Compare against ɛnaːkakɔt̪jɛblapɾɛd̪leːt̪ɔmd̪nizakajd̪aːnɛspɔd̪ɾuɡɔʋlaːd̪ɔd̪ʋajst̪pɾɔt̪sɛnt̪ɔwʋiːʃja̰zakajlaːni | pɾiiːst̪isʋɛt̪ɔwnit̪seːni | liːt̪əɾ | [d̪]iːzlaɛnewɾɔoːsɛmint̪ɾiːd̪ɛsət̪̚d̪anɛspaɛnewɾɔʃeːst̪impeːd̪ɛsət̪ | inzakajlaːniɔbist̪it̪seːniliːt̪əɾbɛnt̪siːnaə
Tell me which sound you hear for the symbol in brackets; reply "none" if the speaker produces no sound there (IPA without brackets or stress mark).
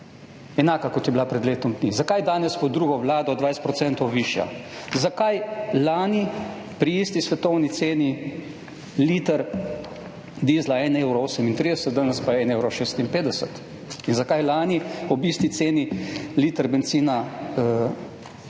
d̪